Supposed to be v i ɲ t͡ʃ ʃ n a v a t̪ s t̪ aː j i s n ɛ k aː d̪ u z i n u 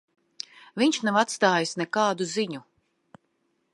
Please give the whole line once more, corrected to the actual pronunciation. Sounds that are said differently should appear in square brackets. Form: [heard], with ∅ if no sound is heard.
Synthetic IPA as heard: v i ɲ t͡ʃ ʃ n a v a t̪ s t̪ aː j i s n ɛ k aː d̪ u z i [ɲ] u